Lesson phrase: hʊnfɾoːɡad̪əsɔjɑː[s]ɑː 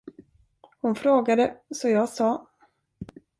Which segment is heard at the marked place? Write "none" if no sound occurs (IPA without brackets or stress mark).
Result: s